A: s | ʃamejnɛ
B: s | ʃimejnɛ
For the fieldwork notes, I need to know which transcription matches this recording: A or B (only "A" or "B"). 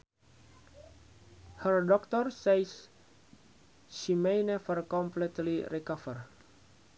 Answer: B